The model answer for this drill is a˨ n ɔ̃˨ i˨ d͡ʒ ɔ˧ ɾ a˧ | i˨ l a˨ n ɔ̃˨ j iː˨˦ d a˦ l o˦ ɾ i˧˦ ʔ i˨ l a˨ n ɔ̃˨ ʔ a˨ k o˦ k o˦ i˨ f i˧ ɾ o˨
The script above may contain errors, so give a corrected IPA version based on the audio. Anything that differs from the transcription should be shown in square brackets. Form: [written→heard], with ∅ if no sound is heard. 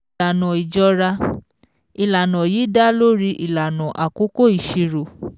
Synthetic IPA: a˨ n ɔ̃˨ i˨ d͡ʒ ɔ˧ ɾ a˧ | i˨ l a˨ n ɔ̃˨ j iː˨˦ d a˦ l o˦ ɾ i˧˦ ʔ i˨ l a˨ n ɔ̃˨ ʔ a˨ k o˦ k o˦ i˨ [f→ʃ] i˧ ɾ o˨